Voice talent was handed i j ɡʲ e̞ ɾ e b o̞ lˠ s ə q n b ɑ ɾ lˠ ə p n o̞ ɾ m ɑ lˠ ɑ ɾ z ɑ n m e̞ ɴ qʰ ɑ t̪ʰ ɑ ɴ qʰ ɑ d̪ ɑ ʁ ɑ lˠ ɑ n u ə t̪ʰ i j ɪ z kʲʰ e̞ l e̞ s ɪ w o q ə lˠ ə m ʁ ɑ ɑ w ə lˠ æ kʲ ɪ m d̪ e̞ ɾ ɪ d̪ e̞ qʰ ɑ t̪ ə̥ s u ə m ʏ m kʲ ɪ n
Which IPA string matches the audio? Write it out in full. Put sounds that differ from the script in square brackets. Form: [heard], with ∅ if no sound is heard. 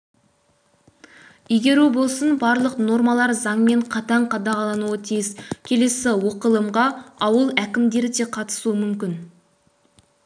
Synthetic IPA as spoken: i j ɡʲ e̞ ɾ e b o̞ lˠ s ə [∅] n b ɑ ɾ lˠ ə [q] n o̞ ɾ m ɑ lˠ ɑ ɾ z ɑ [ɴ] m e̞ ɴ qʰ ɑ [t̪] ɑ ɴ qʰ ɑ d̪ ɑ ʁ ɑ lˠ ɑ n u ə t̪ʰ i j ɪ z kʲʰ e̞ l e̞ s ɪ w o q ə lˠ ə m ʁ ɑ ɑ w ə lˠ æ kʲ ɪ m d̪ e̞ ɾ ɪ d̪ e̞ qʰ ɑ t̪ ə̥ s u ə m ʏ m kʲ ɪ n